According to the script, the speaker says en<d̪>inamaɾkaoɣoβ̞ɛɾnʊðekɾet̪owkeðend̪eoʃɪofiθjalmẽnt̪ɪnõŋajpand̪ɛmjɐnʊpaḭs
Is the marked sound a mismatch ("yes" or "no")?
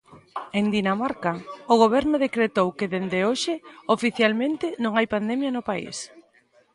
no